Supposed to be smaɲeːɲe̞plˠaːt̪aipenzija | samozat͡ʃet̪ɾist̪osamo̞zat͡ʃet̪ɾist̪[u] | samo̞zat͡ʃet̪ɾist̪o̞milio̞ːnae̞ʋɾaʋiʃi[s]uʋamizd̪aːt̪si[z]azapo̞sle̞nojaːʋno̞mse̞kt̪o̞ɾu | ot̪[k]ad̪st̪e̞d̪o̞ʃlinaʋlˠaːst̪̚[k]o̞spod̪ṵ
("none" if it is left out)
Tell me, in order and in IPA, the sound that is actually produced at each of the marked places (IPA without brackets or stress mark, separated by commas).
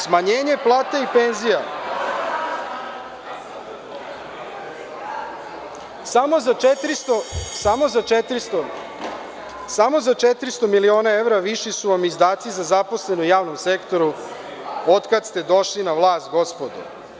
o, s, z, k, ɡ